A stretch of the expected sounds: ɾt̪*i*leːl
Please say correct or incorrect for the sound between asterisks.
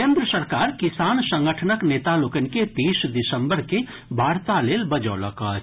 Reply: incorrect